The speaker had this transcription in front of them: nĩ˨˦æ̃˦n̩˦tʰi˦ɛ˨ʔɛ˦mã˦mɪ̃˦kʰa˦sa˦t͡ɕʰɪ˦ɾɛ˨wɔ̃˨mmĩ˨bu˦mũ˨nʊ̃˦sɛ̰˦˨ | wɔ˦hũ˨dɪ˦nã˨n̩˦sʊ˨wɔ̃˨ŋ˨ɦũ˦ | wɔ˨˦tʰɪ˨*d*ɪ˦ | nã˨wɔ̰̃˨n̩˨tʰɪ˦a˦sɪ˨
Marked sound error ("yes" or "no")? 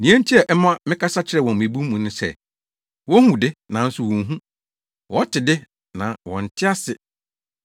no